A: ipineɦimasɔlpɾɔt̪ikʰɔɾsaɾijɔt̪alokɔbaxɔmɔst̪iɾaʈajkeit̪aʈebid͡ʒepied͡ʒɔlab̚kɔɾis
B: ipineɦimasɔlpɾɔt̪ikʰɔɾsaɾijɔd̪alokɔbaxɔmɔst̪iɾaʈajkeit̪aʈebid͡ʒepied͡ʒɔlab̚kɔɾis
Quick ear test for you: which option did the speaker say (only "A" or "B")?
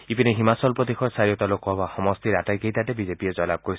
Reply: A